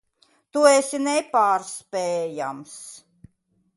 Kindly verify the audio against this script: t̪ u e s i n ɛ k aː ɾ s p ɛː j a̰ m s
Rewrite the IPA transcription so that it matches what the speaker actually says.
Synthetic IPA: t̪ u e s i n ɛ p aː ɾ s p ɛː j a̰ m s

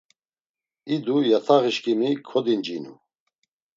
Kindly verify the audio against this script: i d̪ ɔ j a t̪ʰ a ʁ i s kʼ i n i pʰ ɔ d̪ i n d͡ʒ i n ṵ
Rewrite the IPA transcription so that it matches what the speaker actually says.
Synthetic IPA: i d̪ u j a t̪ʰ a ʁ i ʃ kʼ i m i kʰ ɔ d̪ i n d͡ʒ i n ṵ

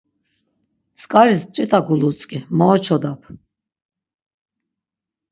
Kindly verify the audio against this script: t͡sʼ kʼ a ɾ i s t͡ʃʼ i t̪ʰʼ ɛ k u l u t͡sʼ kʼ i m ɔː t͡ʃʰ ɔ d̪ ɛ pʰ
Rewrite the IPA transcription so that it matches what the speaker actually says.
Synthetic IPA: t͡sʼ kʼ a ɾ i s t͡ʃʼ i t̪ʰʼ a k u l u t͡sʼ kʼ i m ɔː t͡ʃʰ ɔ d̪ a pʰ

